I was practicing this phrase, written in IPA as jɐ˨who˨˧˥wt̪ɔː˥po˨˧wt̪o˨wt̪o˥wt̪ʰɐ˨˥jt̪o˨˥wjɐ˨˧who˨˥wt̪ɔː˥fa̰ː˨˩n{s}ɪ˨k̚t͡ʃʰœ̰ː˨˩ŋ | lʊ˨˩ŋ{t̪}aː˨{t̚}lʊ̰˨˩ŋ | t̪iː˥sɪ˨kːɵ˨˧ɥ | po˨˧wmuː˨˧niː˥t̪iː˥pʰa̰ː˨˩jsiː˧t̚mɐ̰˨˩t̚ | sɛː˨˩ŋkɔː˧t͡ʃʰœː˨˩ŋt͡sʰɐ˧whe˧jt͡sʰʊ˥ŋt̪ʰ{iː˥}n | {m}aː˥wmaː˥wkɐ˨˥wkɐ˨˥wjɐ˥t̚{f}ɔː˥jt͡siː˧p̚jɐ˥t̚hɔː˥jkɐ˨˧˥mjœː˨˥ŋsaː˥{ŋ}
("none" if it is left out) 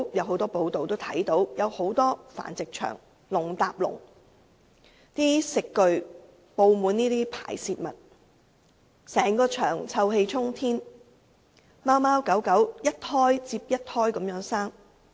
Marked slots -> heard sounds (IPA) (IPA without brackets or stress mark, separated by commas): t͡s, t̪, p̚, iː˥, m, h, ŋ